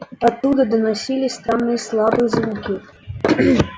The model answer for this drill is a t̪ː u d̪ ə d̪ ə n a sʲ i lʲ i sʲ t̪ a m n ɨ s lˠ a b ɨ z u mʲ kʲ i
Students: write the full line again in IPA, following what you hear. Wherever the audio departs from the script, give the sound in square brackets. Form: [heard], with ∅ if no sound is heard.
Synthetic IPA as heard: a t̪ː u d̪ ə d̪ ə n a sʲ i lʲ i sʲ t̪ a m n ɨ s lˠ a b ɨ z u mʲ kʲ i